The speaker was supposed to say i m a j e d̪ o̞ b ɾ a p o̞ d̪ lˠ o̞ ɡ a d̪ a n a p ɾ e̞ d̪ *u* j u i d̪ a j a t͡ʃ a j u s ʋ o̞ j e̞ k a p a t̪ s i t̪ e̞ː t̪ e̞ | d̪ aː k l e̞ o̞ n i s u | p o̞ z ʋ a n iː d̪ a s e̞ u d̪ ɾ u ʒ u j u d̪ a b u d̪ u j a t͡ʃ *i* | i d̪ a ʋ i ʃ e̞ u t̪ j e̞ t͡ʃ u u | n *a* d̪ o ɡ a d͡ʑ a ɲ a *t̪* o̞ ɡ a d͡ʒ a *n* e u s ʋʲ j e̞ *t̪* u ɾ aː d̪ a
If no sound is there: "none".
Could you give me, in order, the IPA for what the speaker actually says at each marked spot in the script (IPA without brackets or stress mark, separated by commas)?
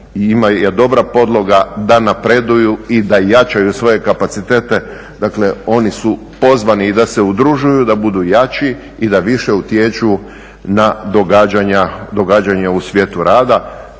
u, i, a, d̪, ɲ, t̪